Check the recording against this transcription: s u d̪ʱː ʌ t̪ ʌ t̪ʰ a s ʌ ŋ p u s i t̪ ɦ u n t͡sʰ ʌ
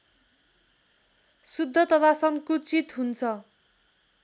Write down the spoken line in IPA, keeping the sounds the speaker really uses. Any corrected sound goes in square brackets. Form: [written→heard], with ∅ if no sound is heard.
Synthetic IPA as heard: s u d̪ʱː ʌ t̪ ʌ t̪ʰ a s ʌ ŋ [p→k] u [s→t͡s] i t̪ ɦ u n t͡sʰ ʌ